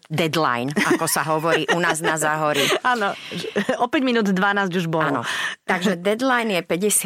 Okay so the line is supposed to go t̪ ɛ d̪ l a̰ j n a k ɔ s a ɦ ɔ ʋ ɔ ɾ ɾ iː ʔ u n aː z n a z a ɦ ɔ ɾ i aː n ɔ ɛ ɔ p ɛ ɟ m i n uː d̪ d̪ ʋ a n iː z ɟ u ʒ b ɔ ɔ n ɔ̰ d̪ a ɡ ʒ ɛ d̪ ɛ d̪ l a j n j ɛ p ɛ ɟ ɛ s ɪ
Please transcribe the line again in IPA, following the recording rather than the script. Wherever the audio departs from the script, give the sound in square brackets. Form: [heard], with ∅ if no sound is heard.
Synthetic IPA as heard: [d̪] ɛ d̪ l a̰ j n a k ɔ s a ɦ ɔ ʋ ɔ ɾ ɾ iː ʔ u n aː z n a z a ɦ ɔ ɾ i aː n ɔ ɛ ɔ p ɛ ɟ m i n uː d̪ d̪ ʋ a n [aː] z ɟ u ʒ b ɔ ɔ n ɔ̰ [t̪] a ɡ ʒ ɛ d̪ ɛ d̪ l a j n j ɛ p ɛ ɟ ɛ s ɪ